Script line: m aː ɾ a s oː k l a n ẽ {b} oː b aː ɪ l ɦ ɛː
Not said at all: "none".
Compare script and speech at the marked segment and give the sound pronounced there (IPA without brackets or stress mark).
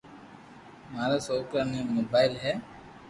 m